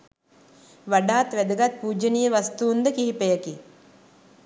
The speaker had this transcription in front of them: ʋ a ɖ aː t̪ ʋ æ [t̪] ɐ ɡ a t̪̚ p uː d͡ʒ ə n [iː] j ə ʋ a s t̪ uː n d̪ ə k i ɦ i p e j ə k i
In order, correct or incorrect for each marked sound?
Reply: incorrect: d̪, incorrect: i

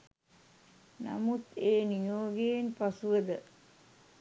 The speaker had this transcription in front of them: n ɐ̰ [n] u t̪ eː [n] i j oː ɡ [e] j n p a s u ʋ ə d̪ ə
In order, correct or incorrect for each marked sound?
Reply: incorrect: m, correct, correct

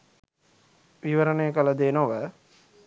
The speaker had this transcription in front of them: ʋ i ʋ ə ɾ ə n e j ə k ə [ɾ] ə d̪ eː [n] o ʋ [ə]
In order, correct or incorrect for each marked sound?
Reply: incorrect: l, correct, correct

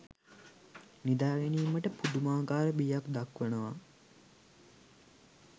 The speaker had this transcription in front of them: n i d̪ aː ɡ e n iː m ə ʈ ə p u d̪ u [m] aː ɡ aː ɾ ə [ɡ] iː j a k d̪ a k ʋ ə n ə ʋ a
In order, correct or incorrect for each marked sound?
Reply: correct, incorrect: b

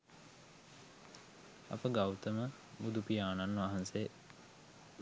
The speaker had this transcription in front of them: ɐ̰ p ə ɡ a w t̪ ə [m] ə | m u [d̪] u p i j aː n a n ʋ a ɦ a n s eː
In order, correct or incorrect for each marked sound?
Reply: correct, correct

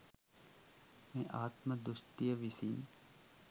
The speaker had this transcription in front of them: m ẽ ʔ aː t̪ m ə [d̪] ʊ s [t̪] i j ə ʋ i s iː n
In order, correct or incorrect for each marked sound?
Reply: correct, correct

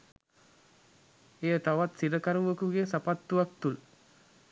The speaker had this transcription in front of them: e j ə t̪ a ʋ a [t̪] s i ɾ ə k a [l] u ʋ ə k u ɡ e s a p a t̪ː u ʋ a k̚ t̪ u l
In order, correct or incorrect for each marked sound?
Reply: correct, incorrect: ɾ

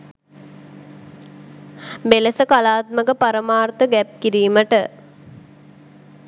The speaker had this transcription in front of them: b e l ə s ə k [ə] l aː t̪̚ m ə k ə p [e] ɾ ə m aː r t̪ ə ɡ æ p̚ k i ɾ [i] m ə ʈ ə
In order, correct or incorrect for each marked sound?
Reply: incorrect: a, incorrect: a, incorrect: iː

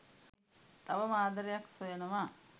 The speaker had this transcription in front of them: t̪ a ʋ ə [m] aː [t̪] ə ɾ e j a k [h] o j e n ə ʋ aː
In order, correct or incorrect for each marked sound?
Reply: correct, incorrect: d̪, incorrect: s

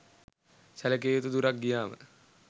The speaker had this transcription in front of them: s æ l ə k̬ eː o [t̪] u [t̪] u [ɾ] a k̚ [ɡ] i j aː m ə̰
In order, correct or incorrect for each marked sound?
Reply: correct, incorrect: d̪, correct, correct

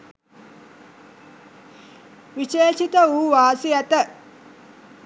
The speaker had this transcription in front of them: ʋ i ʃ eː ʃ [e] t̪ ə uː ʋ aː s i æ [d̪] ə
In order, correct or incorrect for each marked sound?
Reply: incorrect: i, incorrect: t̪

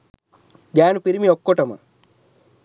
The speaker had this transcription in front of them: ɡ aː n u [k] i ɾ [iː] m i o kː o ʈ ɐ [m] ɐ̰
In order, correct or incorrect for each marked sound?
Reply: incorrect: p, incorrect: i, correct

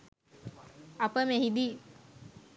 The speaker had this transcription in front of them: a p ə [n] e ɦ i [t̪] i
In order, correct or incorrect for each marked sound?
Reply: incorrect: m, incorrect: d̪

